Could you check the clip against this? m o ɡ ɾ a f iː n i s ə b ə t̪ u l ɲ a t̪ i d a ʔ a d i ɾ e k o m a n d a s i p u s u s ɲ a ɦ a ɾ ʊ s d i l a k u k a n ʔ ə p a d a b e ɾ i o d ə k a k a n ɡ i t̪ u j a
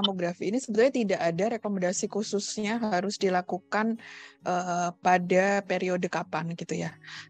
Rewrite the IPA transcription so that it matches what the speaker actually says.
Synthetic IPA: m o ɡ ɾ a f iː n i s ə b ə t̪ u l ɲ a t̪ i d a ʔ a d a ɾ e k o m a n d a s i k u s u s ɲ a ɦ a ɾ ʊ s d i l a k u k a n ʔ ə p a d a p e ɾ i o d ə k a p a n ɡ i t̪ u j a